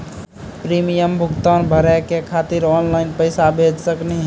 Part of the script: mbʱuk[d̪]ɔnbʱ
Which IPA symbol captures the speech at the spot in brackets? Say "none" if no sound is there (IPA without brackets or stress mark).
t̪